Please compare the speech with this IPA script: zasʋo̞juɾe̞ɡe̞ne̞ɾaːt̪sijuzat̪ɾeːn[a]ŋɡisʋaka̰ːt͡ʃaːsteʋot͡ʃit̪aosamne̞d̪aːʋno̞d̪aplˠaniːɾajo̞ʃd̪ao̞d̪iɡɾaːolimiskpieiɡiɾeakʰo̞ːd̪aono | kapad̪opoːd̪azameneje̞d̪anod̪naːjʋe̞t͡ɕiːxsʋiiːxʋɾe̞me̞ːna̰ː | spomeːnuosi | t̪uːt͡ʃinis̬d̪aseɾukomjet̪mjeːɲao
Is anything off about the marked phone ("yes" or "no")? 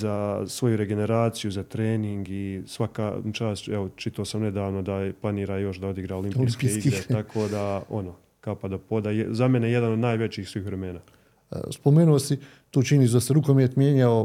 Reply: yes